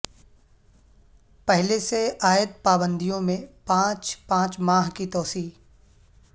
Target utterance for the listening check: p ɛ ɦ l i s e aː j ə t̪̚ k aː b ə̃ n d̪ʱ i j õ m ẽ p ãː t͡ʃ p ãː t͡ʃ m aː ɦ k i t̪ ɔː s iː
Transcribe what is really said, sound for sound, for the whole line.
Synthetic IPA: p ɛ ɦ l e s e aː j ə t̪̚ p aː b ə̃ n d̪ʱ i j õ m ẽ p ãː t͡ʃ p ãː t͡ʃ m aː ɦ k i t̪ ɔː s iː